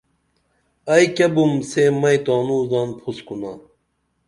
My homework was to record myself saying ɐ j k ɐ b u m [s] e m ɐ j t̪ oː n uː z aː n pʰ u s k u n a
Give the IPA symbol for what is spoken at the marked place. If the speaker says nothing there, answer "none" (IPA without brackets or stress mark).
s